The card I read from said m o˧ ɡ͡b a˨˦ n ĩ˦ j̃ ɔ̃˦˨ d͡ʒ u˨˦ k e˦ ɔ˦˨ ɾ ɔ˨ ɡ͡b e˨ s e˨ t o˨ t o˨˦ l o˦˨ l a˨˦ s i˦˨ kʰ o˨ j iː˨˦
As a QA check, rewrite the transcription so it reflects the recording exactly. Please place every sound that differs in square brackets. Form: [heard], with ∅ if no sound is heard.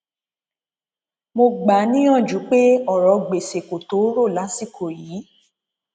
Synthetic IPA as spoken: m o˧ ɡ͡b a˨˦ n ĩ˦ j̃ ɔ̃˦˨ d͡ʒ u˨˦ [k͡p] e˦ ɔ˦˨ ɾ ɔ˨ ɡ͡b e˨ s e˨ [k] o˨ t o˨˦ [ɾ] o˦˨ l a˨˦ s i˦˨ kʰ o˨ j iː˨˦

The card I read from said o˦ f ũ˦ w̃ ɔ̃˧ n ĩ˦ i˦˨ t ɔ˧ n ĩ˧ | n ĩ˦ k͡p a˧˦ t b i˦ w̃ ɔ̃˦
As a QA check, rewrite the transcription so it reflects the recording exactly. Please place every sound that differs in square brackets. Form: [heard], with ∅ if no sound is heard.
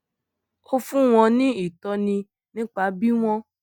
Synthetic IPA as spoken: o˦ f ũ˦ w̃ ɔ̃˧ n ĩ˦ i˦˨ t ɔ˧ n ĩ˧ | n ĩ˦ k͡p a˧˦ [∅] b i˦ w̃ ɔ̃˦

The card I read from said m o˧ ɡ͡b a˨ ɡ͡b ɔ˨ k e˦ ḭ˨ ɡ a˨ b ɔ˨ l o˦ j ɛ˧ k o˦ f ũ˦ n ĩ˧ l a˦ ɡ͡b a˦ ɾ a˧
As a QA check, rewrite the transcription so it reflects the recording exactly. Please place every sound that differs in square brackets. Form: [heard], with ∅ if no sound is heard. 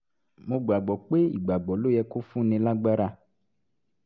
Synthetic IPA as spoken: m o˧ ɡ͡b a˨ ɡ͡b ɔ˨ [k͡p] e˦ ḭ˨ [ɡ͡b] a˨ [ɡ͡b] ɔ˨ l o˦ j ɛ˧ k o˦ f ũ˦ n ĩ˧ l a˦ ɡ͡b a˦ ɾ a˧

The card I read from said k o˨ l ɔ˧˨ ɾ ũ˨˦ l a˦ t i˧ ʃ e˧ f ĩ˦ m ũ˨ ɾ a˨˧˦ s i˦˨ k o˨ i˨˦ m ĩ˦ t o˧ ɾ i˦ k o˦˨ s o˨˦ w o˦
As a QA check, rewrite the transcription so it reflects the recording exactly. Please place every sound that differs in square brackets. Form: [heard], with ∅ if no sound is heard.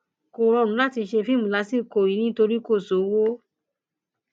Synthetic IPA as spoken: k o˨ [ɾ] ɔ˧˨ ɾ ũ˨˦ l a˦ t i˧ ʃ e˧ f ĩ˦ m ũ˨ [l] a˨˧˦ s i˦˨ k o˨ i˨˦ [n] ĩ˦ t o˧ ɾ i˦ k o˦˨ s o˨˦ w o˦

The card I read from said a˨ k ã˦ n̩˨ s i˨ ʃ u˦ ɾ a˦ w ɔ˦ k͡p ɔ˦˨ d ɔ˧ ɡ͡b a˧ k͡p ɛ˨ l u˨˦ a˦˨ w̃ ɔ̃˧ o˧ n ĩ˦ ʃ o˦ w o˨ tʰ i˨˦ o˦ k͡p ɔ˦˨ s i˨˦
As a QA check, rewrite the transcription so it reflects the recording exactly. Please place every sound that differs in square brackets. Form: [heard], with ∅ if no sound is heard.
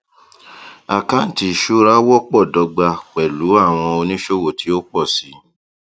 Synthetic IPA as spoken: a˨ k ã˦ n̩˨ [t] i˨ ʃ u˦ ɾ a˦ w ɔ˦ k͡p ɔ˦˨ d ɔ˧ ɡ͡b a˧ k͡p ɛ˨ l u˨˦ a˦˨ w̃ ɔ̃˧ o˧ n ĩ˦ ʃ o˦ w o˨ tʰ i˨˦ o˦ k͡p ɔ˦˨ s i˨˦

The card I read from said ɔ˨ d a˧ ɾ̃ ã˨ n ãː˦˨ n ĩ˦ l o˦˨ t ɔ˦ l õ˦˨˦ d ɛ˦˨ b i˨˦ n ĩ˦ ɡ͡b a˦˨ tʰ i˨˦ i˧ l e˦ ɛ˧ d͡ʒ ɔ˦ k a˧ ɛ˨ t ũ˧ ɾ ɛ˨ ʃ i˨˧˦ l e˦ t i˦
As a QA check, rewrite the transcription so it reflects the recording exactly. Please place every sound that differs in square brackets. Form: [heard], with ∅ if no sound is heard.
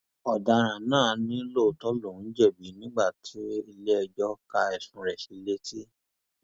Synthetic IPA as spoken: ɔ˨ d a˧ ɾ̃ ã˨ n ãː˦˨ n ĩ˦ l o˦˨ t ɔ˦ l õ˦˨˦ [d͡ʒ] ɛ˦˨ b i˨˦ n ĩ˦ ɡ͡b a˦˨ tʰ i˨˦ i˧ l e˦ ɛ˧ d͡ʒ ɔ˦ k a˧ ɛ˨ [s] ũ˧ ɾ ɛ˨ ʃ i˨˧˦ l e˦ t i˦

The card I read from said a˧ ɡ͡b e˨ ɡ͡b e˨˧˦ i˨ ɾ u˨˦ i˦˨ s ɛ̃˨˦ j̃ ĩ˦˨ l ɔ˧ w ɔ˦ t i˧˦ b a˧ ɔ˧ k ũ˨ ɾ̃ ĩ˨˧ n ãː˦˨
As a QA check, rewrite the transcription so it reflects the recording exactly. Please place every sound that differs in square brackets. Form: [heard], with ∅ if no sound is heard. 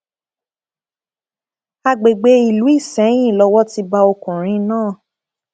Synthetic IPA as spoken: a˧ ɡ͡b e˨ ɡ͡b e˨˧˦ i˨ [l] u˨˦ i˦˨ s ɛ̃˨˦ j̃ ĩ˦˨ l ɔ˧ w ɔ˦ t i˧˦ b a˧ [o˧] k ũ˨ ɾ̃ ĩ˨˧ n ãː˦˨

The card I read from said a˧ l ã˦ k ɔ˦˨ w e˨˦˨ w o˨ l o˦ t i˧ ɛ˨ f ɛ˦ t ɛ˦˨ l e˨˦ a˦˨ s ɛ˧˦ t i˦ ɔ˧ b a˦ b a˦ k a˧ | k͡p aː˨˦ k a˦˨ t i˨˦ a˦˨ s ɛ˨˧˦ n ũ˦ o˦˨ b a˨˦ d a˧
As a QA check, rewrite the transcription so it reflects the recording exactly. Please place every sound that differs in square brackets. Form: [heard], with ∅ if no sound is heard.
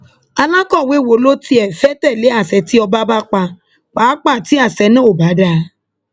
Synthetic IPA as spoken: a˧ l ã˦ k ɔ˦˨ w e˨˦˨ w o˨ l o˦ t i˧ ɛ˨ f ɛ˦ t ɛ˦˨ l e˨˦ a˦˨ s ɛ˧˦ t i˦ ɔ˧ b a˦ b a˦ [k͡p] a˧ | k͡p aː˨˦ [k͡p] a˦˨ t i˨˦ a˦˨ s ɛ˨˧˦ n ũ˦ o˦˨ b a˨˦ d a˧

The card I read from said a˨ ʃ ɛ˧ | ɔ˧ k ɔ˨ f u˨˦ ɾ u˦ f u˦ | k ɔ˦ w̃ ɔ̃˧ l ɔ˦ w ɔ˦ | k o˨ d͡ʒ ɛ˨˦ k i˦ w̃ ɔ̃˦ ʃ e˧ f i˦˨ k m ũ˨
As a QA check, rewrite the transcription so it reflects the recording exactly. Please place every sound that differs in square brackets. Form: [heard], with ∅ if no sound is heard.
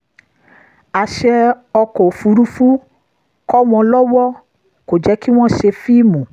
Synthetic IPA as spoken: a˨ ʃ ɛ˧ | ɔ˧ k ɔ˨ f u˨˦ ɾ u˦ f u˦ | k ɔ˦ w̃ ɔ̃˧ l ɔ˦ w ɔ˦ | k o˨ d͡ʒ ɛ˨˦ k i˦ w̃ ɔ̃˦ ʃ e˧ f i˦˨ [∅] m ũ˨

